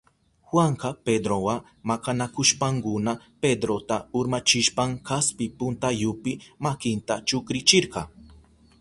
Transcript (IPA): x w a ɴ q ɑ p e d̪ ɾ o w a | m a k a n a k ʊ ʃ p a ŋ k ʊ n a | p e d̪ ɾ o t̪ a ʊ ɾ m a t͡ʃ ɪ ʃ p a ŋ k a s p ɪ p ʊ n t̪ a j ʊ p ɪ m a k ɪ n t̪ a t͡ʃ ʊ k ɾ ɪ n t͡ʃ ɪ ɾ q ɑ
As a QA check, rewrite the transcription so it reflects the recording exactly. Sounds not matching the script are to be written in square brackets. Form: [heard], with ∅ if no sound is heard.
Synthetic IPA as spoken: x w a ɴ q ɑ p e d̪ ɾ o w a | m a k a n a k ʊ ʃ p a ŋ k ʊ n a | p e d̪ ɾ o t̪ a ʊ ɾ m a t͡ʃ ɪ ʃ p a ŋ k a s p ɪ p ʊ n t̪ a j ʊ p ɪ m a k ɪ n t̪ a t͡ʃ ʊ k ɾ ɪ [∅] t͡ʃ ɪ ɾ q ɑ